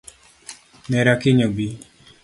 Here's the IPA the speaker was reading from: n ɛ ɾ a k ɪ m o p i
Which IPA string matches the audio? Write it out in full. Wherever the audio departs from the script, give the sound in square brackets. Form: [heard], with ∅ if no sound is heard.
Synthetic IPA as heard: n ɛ ɾ a k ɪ [ɲ] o [b] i